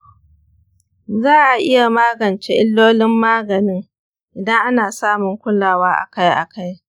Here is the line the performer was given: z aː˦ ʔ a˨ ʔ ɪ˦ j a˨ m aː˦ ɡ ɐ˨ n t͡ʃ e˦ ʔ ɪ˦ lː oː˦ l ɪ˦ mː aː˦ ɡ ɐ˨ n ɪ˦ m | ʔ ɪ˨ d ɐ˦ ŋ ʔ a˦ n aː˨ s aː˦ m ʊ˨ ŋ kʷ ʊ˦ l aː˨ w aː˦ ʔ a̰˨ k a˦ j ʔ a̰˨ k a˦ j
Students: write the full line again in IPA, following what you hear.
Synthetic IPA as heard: z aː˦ ʔ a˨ ʔ ɪ˦ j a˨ m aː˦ ɡ ɐ˨ n t͡ʃ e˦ ʔ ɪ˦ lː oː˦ l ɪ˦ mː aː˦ ɡ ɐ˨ n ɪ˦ ŋ | ʔ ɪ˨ d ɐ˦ ŋ ʔ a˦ n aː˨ s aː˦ m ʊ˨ ŋ kʷ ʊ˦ l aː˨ w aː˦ ʔ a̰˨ k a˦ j ʔ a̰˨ k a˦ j